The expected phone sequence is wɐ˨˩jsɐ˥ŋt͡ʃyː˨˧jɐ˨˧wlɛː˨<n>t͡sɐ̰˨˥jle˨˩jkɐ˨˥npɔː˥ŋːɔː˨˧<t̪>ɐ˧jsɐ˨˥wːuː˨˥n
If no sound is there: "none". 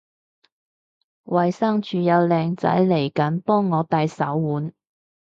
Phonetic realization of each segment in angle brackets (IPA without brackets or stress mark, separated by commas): ŋ, t̪